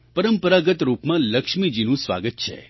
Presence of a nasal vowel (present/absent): present